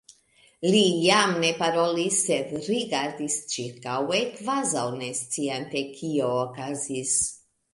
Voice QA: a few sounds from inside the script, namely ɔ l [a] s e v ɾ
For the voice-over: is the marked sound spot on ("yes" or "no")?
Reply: no